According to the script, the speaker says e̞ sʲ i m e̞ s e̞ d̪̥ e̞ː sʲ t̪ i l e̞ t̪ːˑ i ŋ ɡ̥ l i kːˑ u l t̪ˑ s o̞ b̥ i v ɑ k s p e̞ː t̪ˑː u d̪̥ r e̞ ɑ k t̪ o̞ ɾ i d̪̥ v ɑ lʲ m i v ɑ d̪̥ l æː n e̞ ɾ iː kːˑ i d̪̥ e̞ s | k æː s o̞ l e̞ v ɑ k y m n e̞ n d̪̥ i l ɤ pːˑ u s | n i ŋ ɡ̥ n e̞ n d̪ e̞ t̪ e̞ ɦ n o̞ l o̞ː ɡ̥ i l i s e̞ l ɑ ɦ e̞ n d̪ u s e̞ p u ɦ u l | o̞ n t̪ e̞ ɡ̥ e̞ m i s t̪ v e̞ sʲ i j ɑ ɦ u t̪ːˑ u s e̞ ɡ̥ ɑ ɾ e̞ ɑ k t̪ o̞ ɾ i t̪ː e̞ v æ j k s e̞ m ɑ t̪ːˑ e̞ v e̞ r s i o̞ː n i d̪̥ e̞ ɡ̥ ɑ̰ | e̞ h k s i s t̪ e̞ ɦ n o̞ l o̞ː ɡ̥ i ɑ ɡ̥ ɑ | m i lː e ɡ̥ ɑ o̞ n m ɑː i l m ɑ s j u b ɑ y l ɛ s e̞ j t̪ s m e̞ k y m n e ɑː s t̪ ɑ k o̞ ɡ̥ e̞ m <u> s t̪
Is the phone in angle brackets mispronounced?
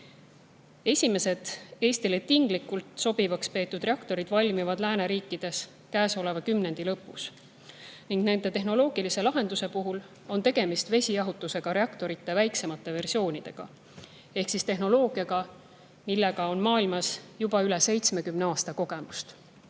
no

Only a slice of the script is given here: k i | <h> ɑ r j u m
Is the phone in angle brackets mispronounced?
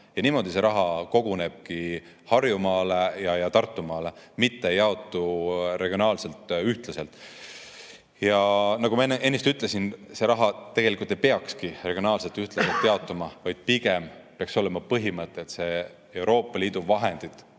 no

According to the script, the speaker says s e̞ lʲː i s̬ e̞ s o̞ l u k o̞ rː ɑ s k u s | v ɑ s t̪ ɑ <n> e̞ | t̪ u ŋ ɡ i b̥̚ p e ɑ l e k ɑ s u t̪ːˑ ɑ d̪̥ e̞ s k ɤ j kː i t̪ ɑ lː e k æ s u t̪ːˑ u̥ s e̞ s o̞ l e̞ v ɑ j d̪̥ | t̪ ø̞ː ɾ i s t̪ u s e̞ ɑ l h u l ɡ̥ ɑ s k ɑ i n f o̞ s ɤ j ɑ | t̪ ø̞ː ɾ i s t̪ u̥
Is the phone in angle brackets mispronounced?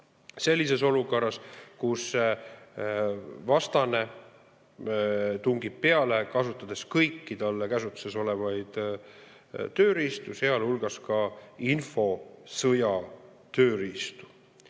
no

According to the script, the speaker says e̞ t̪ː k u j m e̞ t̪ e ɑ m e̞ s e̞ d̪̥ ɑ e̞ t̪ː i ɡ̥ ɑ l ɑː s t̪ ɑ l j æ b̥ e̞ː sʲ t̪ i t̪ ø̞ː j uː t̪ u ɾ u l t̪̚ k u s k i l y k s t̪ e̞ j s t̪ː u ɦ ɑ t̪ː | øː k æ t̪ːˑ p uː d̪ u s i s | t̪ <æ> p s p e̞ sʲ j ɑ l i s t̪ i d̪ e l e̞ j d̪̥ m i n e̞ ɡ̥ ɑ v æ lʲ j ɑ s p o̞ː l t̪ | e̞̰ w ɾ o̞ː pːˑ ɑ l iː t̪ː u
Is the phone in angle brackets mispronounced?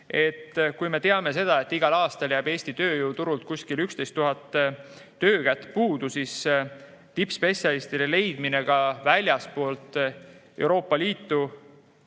yes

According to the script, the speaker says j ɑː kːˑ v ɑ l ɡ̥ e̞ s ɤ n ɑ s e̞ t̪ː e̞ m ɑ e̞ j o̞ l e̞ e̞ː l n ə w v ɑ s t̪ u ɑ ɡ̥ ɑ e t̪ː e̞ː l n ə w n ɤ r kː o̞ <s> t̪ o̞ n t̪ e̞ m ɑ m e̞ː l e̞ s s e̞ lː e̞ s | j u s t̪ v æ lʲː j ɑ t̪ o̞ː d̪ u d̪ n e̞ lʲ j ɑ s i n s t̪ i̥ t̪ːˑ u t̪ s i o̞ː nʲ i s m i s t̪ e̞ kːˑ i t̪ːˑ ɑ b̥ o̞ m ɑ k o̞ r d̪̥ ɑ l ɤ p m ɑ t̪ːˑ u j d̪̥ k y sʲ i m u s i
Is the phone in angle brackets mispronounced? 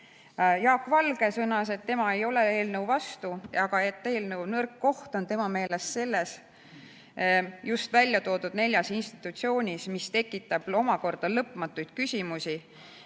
yes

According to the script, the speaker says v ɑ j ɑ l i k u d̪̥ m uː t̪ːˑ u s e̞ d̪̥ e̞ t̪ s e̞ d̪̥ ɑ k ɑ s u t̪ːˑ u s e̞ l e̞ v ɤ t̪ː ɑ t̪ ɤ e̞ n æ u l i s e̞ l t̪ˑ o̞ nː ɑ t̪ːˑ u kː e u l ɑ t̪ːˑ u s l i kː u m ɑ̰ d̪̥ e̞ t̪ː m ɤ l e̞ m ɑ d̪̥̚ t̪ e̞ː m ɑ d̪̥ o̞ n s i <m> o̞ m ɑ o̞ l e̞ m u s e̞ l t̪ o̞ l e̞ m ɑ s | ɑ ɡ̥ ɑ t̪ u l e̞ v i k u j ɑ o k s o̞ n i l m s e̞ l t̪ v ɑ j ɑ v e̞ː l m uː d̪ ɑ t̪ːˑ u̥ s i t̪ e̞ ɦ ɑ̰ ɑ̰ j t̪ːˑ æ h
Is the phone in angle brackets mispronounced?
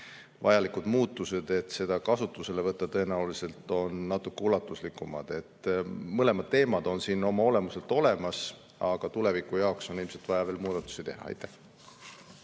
yes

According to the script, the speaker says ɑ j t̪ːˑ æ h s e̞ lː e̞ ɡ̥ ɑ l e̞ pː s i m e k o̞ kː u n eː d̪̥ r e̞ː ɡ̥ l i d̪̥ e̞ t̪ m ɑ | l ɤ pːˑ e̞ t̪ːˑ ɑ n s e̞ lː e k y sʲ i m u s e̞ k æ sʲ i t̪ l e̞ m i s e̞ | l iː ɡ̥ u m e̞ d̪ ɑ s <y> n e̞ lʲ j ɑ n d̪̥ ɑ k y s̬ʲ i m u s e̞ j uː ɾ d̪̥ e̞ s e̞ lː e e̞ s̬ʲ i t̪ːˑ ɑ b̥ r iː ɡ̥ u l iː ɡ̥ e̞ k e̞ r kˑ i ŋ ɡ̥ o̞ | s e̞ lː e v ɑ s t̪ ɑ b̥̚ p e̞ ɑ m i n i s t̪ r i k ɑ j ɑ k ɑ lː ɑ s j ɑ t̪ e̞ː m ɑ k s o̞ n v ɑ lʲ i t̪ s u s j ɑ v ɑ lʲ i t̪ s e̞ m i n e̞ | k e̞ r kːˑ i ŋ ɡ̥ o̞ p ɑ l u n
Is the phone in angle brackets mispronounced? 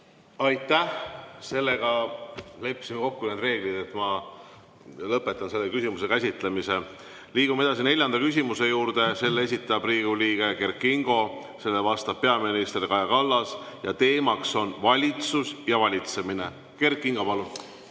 yes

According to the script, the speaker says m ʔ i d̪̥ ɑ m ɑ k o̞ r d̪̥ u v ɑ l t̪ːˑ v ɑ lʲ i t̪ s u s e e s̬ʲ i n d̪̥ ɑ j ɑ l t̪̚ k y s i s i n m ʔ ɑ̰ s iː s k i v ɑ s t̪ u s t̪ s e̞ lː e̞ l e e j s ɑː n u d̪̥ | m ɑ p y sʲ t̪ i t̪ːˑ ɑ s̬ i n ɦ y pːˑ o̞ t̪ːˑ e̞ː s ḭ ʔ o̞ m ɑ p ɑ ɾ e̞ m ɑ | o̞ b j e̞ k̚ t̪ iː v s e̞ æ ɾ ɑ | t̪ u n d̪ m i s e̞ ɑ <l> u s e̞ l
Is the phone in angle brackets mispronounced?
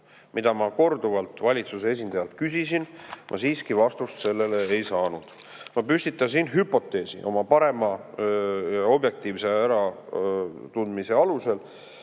no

